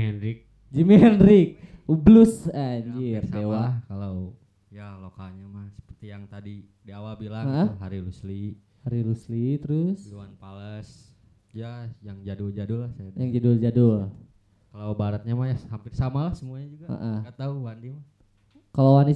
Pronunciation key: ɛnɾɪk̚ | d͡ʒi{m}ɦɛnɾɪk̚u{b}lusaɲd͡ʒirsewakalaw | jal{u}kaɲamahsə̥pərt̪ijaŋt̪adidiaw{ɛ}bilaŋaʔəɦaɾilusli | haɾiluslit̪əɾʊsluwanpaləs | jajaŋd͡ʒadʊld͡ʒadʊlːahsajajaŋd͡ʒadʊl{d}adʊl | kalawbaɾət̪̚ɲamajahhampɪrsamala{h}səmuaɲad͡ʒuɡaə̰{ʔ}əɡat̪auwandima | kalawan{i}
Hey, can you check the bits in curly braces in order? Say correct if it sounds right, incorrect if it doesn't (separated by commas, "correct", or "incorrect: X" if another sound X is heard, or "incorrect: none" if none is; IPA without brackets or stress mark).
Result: correct, correct, incorrect: o, incorrect: a, incorrect: d͡ʒ, correct, correct, correct